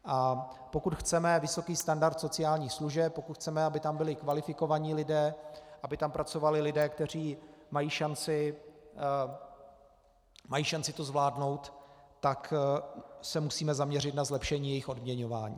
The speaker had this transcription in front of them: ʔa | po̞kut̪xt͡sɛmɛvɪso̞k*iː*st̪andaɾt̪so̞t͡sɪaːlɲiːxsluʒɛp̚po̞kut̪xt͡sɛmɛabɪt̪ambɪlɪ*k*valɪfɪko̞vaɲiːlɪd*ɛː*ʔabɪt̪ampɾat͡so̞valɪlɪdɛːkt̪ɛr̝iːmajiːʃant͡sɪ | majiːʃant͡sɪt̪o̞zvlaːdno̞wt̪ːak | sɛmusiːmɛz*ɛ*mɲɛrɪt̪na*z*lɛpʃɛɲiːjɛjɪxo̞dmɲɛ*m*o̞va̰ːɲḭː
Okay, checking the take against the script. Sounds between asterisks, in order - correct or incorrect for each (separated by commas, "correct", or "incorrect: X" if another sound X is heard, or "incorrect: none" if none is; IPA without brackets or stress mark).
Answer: correct, correct, correct, incorrect: a, correct, incorrect: ɲ